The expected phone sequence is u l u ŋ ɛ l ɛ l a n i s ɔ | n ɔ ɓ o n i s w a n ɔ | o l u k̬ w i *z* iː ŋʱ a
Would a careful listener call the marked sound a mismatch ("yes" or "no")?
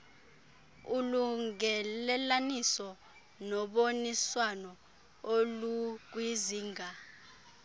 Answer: no